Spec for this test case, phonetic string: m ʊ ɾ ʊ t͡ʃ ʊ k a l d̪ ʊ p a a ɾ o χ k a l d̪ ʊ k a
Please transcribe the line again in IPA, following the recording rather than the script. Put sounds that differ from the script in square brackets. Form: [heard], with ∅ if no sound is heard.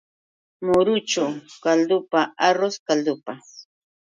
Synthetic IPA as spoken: m ʊ ɾ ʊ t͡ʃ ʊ k a l d̪ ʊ p a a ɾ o [s] k a l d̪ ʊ [p] a